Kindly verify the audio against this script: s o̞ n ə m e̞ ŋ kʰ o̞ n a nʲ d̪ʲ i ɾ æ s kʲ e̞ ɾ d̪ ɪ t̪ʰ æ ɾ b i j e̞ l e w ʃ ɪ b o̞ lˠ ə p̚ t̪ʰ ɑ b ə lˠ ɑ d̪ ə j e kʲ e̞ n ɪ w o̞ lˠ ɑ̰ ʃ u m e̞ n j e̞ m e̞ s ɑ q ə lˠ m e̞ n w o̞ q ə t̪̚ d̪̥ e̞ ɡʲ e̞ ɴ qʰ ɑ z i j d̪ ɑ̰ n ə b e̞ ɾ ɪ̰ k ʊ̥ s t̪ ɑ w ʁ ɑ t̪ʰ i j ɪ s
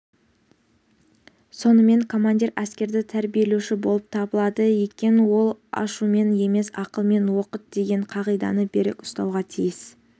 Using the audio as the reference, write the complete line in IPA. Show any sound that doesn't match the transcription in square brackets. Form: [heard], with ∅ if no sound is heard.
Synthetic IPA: s o̞ n ə m e̞ ŋ kʰ o̞ [m] a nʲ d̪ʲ i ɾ æ s kʲ e̞ ɾ d̪ ɪ t̪ʰ æ ɾ b i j e̞ l e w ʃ ɪ b o̞ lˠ ə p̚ t̪ʰ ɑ b ə lˠ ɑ d̪ ə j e kʲ e̞ n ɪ w o̞ lˠ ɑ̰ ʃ u m e̞ n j e̞ m e̞ s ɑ q ə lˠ m e̞ n w o̞ q ə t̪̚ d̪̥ e̞ ɡʲ e̞ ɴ qʰ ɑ [ʁ] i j d̪ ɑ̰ n ə b e̞ ɾ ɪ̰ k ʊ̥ s t̪ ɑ w ʁ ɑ t̪ʰ i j ɪ s

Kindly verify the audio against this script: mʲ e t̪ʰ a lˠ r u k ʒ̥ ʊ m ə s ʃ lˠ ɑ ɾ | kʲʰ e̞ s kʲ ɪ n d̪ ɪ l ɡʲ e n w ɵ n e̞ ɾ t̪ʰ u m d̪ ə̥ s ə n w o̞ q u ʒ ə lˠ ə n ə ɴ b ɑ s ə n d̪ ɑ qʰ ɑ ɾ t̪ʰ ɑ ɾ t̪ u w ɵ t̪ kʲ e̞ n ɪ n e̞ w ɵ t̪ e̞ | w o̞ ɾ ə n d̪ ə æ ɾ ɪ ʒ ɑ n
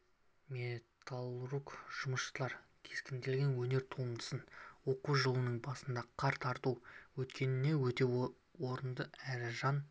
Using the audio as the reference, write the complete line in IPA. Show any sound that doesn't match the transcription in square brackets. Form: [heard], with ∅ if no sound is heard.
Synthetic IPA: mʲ e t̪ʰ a lˠ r u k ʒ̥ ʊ m ə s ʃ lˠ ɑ ɾ | kʲʰ e̞ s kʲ ɪ n d̪ ɪ l ɡʲ e n w ɵ n e̞ ɾ t̪ʰ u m d̪ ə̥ s ə n w o̞ q u ʒ ə lˠ ə n ə ɴ b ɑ s ə n d̪ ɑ qʰ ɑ ɾ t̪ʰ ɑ ɾ t̪ u w ɵ t̪ kʲ e̞ n ɪ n e̞ w ɵ t̪ e̞ | w o̞ ɾ ə n d̪ ə æ ɾ ɪ ʒ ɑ n

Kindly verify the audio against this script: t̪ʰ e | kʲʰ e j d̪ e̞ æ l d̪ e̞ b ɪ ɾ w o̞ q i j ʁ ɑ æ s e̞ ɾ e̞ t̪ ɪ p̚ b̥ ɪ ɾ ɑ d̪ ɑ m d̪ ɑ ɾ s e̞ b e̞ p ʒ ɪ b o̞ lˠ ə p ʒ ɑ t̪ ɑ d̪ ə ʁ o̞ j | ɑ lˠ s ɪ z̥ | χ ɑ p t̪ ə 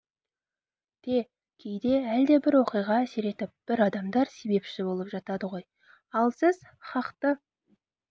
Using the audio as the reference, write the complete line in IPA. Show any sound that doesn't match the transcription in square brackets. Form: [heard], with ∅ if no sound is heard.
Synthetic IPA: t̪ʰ e | kʲʰ e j d̪ e̞ æ l d̪ e̞ b ɪ ɾ w o̞ q i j ʁ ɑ æ s e̞ ɾ e̞ t̪ ɪ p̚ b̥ ɪ ɾ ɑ d̪ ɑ m d̪ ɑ ɾ s e̞ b e̞ p [ʃ] ɪ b o̞ lˠ ə p ʒ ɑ t̪ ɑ d̪ ə ʁ o̞ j | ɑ lˠ s ɪ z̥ | χ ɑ [q] t̪ ə

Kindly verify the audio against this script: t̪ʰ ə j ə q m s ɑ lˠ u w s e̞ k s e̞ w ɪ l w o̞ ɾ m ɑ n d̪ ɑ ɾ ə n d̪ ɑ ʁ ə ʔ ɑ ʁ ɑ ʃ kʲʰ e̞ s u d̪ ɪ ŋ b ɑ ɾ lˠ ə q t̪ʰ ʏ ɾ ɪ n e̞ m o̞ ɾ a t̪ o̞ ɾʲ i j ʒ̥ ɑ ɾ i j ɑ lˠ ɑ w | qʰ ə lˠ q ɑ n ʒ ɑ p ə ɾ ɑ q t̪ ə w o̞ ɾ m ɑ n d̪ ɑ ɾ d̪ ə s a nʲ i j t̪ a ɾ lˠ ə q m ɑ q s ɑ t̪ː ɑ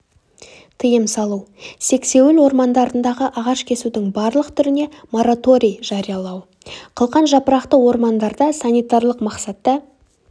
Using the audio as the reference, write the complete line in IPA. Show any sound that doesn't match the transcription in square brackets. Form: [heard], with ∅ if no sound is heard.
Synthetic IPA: t̪ʰ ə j ə [∅] m s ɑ lˠ u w s e̞ k s e̞ w ɪ l w o̞ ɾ m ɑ n d̪ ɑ ɾ ə n d̪ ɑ ʁ ə ʔ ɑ ʁ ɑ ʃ kʲʰ e̞ s u d̪ ɪ ŋ b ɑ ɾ lˠ ə q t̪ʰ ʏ ɾ ɪ n e̞ m o̞ ɾ a t̪ o̞ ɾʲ i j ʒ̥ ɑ ɾ i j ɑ lˠ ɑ w | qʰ ə lˠ q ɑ n ʒ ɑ p ə ɾ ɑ q t̪ ə w o̞ ɾ m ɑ n d̪ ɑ ɾ d̪ [ɑ] s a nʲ i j t̪ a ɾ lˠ ə q m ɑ q s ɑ t̪ː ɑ

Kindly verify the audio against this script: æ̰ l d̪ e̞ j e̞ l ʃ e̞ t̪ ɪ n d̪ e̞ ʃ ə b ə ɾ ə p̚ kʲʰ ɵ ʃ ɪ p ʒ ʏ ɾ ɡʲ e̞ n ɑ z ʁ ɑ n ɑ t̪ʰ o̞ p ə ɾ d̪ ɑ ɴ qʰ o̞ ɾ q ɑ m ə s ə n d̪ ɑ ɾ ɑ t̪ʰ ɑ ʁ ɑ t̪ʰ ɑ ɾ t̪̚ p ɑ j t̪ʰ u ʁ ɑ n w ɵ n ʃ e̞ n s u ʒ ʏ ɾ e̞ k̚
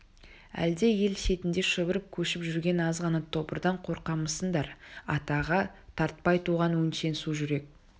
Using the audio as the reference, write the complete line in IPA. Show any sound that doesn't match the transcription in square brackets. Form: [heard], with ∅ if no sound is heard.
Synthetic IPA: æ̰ l d̪ e̞ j e̞ l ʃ e̞ t̪ ɪ n d̪ e̞ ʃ ə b ə ɾ ə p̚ kʲʰ ɵ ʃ ɪ p ʒ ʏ ɾ ɡʲ e̞ n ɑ z ʁ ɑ n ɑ t̪ʰ o̞ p ə ɾ d̪ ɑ ɴ qʰ o̞ ɾ q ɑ m ə s ə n d̪ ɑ ɾ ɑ [t̪] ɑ ʁ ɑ t̪ʰ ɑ ɾ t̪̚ p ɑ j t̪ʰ u ʁ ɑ n w ɵ n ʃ e̞ n s u ʒ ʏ ɾ e̞ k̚

